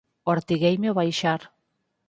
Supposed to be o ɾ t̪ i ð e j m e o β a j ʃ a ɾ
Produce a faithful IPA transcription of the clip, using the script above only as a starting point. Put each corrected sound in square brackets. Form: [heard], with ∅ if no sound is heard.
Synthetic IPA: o ɾ t̪ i [ɣ] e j m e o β a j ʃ a ɾ